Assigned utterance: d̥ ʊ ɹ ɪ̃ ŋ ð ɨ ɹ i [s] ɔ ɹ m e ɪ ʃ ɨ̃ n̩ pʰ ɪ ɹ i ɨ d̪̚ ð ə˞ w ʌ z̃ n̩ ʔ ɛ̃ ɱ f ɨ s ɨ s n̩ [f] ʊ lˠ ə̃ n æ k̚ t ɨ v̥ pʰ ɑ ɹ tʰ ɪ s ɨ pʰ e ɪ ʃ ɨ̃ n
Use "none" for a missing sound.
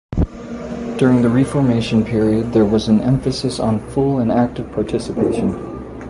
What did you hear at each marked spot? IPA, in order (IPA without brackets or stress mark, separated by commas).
f, f